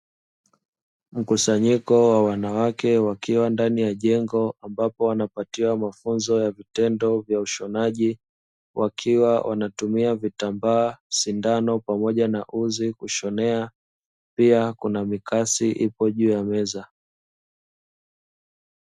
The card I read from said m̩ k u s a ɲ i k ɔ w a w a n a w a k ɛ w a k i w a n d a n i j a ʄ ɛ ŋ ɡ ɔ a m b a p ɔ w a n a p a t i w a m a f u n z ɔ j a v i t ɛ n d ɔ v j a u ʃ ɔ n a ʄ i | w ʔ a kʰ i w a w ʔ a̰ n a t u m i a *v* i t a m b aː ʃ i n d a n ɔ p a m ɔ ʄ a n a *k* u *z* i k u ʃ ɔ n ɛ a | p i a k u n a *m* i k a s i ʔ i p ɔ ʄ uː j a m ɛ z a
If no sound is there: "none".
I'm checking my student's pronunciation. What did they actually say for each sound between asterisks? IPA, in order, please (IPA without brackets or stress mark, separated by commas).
v, ʔ, z, m